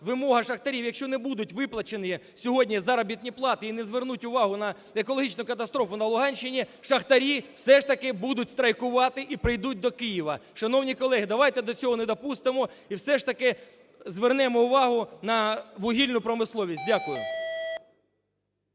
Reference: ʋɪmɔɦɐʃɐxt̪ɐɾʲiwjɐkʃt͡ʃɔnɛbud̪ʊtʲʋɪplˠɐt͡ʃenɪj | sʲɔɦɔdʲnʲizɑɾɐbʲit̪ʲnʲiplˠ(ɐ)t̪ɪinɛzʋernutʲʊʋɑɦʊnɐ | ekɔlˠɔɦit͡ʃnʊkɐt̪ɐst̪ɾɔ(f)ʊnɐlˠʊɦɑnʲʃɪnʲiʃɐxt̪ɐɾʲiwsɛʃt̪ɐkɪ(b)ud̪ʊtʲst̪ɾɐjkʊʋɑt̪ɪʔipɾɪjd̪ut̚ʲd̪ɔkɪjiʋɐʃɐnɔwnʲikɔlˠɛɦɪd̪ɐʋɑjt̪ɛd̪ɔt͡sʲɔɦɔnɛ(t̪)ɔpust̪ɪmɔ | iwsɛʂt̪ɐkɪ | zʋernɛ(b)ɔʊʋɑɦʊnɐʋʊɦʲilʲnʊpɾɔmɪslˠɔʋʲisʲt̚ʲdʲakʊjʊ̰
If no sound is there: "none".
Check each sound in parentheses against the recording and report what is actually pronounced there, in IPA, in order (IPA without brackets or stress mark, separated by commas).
ɑ, f, b, d̪, m